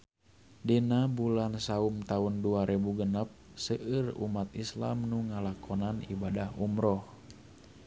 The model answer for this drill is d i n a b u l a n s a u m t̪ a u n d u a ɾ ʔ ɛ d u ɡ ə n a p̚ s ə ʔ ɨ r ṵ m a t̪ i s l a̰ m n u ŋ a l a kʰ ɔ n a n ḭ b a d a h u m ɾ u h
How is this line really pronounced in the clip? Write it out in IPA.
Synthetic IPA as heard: d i n a b u l a n s a u m t̪ a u n d u a ɾ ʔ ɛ b u ɡ ə n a p̚ s ə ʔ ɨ r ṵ m a t̪ i s l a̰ m n u ŋ a l a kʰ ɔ n a n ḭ b a d a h u m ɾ ɔ h

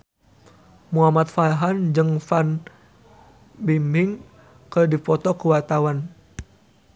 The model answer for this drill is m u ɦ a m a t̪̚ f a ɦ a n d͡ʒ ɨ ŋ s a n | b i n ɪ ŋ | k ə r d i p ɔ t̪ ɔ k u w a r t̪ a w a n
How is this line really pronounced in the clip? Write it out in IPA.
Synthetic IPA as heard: m u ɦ a m a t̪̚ f a ɦ a n d͡ʒ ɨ ŋ f a n | b i m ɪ ŋ | k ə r d i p ɔ t̪ ɔ k u w a r t̪ a w a n

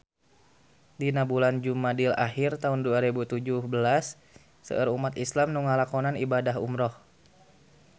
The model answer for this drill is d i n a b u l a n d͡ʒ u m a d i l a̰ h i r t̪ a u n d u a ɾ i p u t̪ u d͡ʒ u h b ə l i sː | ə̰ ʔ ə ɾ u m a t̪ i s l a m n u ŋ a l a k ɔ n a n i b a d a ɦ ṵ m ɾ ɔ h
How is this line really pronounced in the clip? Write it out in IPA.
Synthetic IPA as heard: d i n a b u l a n d͡ʒ u m a d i l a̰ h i r t̪ a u n d u a ɾ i b u t̪ u d͡ʒ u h b ə l a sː | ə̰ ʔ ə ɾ u m a t̪ i s l a m n u ŋ a l a k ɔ n a n i b a d a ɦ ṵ m ɾ ɔ h

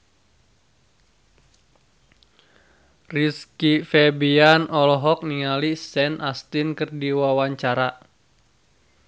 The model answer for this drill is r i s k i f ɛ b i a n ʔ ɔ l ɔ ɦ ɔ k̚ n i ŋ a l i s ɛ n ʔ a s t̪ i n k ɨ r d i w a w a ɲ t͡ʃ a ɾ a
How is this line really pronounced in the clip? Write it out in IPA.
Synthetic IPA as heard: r i s k i f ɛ b i a n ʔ ɔ l ɔ ɦ ɔ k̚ n i ŋ a l i s ɛ n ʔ a s t̪ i n k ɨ r d i w a w a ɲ t͡ʃ a ɾ a

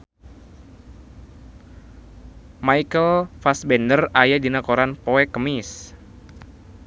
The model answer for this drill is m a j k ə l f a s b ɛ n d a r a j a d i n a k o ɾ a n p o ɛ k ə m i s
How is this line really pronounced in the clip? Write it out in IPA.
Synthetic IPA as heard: m a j k ə l f a s b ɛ n d ə r a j a d i n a k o ɾ a n p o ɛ k ə m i s

